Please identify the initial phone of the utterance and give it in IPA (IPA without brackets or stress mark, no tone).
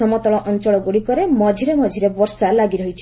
ɔ